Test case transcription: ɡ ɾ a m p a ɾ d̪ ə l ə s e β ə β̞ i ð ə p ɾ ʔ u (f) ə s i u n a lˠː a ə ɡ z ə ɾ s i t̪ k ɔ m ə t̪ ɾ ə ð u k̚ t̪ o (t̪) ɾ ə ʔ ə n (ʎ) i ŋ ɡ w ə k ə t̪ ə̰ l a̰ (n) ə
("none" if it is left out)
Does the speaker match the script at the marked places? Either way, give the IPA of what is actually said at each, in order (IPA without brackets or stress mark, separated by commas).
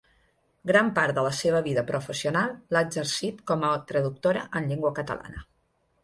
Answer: f, none, ʎ, n